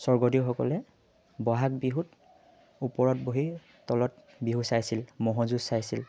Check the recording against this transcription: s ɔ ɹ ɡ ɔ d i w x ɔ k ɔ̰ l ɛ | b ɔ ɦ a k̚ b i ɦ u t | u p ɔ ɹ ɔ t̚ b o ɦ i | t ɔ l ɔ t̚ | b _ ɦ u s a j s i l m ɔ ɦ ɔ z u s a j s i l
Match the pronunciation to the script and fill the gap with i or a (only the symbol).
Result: i